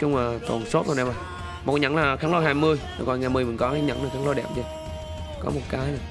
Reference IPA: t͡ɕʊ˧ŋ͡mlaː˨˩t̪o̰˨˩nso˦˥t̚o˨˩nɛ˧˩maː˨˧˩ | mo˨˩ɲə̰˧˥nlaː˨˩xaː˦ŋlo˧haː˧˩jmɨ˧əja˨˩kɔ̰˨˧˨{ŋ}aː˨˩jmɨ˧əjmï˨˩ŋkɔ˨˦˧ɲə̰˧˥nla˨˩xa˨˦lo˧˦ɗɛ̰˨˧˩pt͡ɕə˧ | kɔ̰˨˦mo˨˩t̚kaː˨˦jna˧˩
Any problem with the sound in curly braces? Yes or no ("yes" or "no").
no